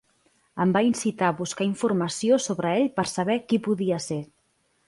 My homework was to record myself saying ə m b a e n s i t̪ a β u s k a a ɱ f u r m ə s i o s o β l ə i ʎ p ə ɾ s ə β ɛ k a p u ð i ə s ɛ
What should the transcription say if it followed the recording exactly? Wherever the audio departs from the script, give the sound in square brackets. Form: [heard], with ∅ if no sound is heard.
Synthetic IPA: ə m b a [i] n s i t̪ a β u s k a [i] ɱ f u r m ə s i o s o β [ɾ] ə [e] ʎ p ə ɾ s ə β ɛ k [i] p u ð i ə s [e]